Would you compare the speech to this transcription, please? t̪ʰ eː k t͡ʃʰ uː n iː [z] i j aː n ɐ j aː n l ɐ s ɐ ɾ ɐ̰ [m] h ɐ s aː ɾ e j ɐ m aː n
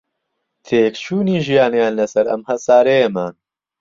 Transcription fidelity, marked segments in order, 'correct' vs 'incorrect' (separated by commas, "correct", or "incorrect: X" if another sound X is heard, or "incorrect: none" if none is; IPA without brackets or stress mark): incorrect: ʒ, correct